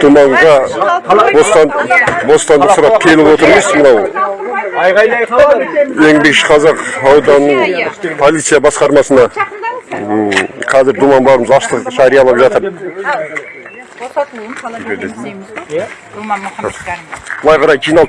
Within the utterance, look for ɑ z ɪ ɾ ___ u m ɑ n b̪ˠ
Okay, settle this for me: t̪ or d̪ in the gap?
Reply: d̪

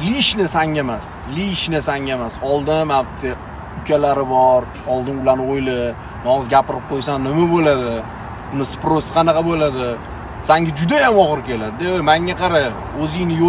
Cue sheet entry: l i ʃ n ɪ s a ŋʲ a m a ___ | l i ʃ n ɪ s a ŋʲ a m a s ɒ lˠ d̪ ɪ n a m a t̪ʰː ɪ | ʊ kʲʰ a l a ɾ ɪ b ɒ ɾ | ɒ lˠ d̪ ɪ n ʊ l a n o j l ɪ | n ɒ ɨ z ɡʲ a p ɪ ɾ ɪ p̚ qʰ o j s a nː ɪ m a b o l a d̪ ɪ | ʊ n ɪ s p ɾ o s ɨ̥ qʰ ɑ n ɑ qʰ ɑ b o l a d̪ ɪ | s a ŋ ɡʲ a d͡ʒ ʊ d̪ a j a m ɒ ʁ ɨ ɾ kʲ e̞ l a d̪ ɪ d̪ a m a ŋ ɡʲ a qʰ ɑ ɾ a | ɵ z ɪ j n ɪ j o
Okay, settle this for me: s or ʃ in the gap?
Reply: s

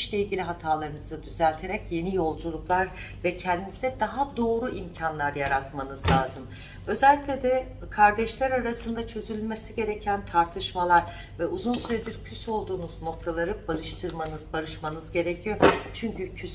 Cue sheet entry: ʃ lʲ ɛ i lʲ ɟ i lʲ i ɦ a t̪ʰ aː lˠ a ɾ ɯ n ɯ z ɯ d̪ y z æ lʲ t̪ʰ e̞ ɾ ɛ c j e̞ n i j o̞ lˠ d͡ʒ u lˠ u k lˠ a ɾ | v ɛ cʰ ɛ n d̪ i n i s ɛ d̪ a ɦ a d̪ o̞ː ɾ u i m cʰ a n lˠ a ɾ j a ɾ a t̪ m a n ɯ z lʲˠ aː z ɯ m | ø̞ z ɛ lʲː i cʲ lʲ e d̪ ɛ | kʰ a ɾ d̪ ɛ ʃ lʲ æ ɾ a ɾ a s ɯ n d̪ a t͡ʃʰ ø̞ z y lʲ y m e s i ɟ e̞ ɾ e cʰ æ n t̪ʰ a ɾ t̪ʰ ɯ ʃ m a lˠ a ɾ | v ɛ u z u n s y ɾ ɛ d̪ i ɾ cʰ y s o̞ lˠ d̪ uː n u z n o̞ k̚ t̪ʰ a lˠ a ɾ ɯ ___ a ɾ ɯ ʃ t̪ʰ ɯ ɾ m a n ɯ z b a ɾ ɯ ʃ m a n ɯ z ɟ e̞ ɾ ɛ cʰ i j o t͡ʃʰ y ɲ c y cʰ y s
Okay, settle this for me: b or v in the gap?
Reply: b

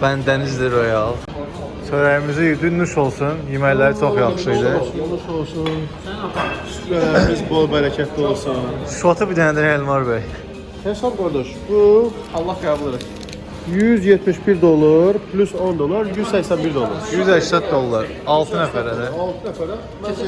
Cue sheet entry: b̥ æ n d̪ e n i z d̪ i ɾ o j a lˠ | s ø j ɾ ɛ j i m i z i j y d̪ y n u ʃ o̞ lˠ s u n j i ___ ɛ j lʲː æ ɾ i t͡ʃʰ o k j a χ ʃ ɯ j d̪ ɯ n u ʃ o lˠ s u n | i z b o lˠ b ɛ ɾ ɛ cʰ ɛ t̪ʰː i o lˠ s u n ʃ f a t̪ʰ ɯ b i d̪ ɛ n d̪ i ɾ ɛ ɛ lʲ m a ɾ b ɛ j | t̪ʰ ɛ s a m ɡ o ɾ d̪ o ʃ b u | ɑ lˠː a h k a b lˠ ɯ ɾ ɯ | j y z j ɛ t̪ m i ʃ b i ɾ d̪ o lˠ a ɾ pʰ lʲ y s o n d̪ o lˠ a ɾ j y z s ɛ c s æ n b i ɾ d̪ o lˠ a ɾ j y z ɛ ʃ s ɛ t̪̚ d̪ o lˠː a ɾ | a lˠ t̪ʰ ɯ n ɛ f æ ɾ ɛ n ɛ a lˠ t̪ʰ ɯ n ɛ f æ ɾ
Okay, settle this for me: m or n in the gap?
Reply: m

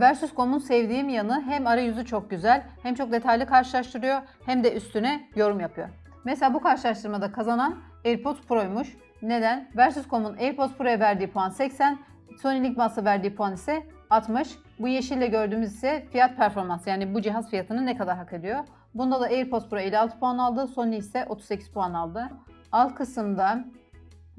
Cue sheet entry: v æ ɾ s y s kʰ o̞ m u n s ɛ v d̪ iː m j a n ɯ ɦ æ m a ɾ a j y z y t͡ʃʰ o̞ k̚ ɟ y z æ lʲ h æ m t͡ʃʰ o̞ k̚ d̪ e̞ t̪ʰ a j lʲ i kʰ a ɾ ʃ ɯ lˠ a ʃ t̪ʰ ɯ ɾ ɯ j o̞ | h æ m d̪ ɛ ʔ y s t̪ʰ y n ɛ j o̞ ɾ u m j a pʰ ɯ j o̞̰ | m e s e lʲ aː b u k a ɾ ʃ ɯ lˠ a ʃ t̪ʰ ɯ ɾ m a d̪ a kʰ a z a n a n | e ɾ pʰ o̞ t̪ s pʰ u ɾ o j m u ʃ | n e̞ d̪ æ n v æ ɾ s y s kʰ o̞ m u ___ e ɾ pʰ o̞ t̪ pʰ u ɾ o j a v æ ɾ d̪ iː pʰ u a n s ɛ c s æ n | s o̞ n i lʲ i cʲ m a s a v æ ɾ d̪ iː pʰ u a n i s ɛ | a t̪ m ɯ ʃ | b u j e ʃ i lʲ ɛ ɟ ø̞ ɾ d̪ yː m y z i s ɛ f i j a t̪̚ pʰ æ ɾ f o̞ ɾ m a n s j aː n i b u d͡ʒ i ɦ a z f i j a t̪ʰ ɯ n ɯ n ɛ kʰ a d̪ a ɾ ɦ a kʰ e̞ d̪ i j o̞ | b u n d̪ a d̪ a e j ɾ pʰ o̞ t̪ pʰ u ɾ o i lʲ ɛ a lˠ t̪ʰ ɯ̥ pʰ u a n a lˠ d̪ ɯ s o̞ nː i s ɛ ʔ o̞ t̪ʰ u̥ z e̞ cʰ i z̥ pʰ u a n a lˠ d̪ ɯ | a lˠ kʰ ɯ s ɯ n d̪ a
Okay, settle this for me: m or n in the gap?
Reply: n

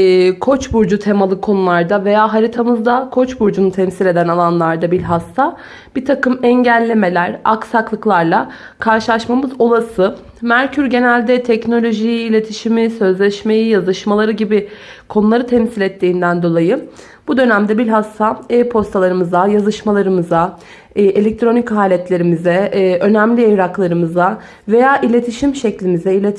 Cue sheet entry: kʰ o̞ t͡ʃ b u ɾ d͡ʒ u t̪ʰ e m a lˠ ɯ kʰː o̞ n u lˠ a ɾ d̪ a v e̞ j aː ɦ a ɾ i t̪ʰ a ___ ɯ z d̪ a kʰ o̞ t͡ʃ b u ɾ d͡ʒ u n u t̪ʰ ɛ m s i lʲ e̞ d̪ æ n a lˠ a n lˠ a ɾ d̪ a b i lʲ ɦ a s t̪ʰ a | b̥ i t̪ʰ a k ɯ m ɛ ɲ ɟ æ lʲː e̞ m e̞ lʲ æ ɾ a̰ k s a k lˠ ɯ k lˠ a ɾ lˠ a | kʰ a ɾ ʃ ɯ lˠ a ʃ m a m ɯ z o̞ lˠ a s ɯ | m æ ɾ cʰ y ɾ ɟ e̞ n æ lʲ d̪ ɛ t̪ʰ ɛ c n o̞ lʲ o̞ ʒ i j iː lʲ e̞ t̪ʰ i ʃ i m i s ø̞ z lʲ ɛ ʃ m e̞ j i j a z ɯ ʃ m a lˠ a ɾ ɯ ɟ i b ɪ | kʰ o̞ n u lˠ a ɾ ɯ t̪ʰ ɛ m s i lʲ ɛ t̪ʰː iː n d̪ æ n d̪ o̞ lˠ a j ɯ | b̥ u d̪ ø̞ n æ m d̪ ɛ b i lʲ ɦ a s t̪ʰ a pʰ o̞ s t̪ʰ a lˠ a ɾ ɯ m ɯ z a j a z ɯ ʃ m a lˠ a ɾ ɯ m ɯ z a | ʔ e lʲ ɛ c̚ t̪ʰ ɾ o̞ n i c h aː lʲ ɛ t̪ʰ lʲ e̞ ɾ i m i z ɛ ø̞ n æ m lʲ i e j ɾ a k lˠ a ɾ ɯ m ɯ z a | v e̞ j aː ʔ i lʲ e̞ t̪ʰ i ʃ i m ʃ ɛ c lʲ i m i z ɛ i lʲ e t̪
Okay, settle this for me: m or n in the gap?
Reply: m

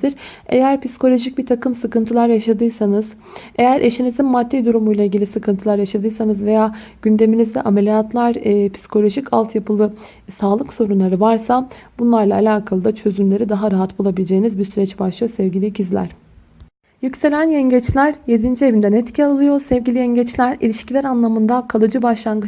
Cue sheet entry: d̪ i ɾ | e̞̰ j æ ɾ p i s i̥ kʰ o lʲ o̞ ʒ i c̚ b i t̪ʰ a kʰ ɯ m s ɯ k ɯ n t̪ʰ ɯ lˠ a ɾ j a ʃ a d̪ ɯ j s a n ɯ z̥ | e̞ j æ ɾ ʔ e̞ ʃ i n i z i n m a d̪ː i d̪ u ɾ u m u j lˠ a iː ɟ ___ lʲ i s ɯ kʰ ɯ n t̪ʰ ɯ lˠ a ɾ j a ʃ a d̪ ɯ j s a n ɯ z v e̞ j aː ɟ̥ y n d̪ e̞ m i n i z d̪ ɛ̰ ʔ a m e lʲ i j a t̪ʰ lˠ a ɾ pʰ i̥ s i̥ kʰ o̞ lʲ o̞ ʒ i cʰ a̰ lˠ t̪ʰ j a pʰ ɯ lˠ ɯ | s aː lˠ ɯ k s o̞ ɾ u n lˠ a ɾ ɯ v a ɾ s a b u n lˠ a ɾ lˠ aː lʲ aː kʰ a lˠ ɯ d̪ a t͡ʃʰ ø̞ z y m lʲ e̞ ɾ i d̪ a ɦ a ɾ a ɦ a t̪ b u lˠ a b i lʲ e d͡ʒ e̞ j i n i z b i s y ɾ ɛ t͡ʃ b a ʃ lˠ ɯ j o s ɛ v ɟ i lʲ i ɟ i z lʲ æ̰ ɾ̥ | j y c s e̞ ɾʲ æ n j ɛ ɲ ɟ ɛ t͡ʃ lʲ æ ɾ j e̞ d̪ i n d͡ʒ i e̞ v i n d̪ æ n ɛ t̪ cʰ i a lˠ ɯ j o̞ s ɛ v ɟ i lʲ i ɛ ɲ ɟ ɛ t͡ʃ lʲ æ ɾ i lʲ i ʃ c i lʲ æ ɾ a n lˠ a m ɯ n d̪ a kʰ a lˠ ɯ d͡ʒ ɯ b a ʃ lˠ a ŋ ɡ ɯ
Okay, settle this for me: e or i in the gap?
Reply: i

